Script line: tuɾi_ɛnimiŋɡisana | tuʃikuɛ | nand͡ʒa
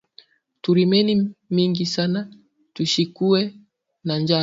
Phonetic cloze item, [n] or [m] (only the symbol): m